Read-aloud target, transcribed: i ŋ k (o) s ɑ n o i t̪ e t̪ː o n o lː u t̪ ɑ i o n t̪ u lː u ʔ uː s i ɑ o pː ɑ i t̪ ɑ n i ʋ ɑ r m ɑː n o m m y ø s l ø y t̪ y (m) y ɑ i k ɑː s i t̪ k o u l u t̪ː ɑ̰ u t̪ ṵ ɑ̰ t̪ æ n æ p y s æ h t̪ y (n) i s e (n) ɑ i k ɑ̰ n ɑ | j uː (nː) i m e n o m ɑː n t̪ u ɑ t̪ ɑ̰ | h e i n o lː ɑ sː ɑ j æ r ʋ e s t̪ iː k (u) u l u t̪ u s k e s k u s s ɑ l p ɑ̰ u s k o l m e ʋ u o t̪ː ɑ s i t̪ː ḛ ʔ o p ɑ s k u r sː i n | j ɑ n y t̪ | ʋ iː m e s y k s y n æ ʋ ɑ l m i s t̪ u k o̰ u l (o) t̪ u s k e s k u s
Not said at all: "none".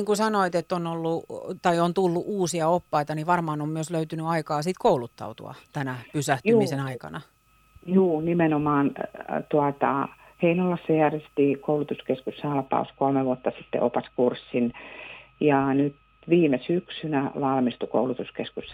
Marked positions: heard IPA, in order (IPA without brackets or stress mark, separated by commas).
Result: u, n, m, n, n, o, u